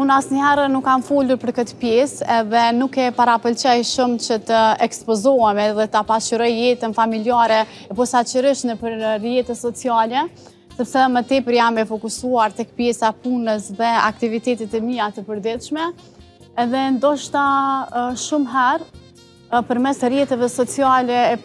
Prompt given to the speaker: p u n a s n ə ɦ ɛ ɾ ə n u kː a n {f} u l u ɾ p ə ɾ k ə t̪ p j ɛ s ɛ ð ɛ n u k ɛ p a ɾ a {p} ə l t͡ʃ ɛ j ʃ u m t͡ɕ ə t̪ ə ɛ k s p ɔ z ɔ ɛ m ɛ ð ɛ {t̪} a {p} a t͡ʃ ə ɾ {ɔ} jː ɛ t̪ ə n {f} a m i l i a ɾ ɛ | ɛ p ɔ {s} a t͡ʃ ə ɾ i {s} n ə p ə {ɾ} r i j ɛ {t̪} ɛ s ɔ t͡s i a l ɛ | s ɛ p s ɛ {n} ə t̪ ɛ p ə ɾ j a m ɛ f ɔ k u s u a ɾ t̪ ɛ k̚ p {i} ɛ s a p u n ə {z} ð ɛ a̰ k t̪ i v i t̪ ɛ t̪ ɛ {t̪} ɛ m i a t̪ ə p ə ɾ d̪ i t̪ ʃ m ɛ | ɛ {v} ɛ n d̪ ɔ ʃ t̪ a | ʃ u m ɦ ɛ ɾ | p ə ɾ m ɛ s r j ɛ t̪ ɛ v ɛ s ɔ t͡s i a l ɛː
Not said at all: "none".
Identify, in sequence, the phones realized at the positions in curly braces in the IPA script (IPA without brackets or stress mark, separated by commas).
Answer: f, p, t̪, p, ɔ, f, s, ʃ, ɾ, t̪, m, j, s, t̪, ð